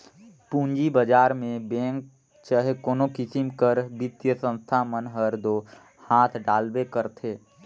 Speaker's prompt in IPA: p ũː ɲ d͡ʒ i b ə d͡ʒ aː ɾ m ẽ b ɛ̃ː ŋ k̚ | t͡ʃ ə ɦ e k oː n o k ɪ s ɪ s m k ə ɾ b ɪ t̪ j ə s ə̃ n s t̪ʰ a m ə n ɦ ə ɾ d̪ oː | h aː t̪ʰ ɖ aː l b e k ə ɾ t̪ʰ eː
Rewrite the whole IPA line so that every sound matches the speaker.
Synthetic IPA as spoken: p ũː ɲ d͡ʒ i b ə d͡ʒ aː ɾ m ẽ b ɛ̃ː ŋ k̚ | t͡ʃ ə ɦ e k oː n o k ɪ s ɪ m k ə ɾ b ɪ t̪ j ə s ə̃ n s t̪ʰ a m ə n ɦ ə ɾ d̪ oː | h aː t̪ʰ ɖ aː l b e k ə ɾ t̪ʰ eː